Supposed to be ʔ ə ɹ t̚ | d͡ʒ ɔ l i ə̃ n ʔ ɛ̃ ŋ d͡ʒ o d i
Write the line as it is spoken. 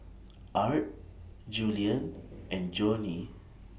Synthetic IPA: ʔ a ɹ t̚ | d͡ʒ u l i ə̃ n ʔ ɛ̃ n d͡ʒ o n i